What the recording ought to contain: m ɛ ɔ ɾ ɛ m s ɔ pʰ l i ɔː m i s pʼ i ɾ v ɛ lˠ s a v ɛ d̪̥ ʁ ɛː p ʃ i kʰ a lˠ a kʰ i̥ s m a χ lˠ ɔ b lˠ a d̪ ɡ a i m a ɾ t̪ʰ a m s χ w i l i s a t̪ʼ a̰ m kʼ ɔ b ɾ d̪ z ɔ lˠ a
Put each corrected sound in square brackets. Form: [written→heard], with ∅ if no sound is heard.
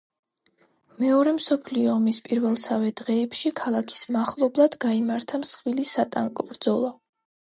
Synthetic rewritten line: m ɛ ɔ ɾ ɛ m s ɔ pʰ l i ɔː m i s pʼ i ɾ v ɛ lˠ s a v ɛ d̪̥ ʁ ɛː p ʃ i kʰ a lˠ a kʰ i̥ s m a χ lˠ ɔ b lˠ a d̪ ɡ a i m a ɾ t̪ʰ a m s χ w i l i s a t̪ʼ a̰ [m→ŋ] kʼ ɔ b ɾ d̪ z ɔ lˠ a